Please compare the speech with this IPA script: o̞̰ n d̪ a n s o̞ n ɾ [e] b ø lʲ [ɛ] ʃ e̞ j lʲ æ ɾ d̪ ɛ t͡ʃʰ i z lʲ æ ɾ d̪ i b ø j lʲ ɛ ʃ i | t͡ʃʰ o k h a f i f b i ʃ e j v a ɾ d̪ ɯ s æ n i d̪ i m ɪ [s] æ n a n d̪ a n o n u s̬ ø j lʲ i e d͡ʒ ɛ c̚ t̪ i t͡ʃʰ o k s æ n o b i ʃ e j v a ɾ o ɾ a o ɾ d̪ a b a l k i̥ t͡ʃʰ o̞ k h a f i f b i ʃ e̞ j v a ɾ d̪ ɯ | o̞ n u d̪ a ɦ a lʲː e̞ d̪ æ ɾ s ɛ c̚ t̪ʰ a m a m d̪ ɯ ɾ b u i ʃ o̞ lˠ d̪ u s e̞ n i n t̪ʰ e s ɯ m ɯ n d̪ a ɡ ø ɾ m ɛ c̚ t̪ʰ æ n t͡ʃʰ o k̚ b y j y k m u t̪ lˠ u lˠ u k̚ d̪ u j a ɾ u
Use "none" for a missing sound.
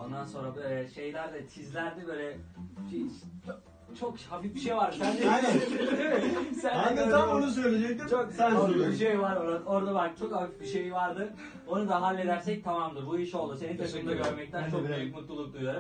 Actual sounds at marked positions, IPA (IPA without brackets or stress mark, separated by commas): a, ɛ, s